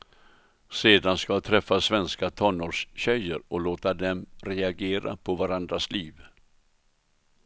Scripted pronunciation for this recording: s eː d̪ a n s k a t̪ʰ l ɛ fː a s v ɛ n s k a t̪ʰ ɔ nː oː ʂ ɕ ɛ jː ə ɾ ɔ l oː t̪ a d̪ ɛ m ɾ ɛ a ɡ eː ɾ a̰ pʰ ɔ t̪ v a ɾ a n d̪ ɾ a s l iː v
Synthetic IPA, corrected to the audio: s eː d̪ a n s k a t̪ʰ ɾ ɛ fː a s v ɛ n s k a t̪ʰ ɔ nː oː ʂ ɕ ɛ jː ə ɾ ɔ l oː t̪ a d̪ ɛ m ɾ ɛ a ɡ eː ɾ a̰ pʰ ɔ v a ɾ a n d̪ ɾ a s l iː v